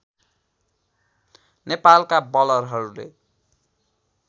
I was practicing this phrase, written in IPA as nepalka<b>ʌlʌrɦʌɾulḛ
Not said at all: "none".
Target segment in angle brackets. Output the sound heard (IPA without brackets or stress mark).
b